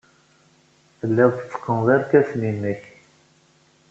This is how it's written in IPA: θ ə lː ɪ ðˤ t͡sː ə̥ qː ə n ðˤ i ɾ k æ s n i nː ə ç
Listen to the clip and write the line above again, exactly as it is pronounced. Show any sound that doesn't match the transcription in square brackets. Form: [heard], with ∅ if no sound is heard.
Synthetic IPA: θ ə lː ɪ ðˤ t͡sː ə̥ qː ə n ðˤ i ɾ k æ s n i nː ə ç